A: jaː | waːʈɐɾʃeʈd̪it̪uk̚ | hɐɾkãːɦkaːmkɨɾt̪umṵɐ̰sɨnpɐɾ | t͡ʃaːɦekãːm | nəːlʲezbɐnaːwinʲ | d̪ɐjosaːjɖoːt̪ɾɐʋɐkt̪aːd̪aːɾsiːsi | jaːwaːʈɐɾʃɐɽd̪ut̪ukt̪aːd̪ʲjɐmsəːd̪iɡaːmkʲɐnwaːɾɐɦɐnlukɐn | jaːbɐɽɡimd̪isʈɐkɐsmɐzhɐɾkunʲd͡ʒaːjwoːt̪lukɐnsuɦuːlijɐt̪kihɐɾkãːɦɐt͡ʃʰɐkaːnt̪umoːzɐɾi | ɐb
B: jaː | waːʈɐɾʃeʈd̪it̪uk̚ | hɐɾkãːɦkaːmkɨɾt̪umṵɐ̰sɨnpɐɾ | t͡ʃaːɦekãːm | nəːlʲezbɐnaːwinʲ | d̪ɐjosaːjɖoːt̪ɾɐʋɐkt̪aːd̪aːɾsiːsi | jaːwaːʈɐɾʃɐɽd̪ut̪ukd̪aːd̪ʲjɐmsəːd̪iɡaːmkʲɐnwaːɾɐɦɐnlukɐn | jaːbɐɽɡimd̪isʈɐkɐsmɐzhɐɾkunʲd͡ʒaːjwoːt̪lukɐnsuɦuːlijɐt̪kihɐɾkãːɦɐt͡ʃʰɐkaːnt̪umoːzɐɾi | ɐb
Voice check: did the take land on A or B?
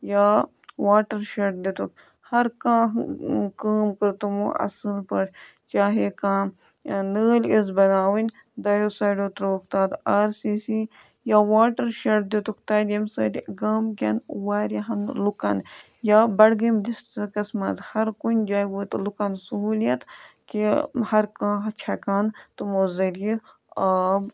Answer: A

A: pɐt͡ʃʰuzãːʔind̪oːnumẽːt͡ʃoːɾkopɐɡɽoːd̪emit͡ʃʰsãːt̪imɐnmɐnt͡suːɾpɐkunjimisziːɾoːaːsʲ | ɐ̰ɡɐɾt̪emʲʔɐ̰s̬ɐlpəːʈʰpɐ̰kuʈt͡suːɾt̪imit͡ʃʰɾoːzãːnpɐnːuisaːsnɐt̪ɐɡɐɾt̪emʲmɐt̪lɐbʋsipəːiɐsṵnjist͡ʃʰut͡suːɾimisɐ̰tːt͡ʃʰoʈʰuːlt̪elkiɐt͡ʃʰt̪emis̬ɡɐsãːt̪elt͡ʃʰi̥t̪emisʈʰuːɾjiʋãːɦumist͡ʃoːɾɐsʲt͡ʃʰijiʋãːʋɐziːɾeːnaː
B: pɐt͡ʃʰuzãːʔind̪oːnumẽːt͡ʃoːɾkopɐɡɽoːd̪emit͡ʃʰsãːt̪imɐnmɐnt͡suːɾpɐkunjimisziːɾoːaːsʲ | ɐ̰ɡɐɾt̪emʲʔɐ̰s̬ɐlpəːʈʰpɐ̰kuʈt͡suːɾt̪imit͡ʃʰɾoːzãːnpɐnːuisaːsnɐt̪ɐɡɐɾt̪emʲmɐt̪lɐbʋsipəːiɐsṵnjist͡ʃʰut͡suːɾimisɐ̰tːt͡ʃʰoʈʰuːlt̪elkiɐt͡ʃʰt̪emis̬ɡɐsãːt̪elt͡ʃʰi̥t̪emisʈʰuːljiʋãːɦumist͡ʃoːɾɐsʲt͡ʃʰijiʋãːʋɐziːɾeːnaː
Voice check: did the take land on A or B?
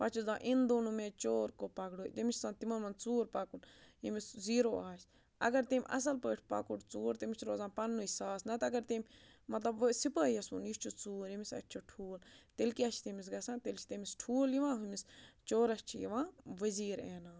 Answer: B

